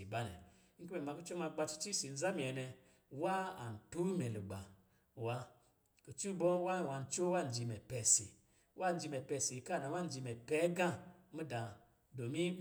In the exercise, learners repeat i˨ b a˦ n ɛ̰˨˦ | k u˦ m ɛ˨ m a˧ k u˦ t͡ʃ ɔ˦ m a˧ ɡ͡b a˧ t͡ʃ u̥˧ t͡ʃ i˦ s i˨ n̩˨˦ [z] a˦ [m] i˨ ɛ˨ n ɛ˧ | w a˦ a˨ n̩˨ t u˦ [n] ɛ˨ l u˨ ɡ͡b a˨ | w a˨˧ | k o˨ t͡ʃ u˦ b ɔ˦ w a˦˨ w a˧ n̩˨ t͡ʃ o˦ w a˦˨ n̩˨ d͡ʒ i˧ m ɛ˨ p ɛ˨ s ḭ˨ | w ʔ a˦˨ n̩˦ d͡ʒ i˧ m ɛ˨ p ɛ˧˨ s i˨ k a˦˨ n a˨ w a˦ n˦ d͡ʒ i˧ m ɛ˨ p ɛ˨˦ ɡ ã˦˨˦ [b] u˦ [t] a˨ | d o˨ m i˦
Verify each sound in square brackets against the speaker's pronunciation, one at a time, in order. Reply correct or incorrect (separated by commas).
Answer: correct, correct, incorrect, incorrect, incorrect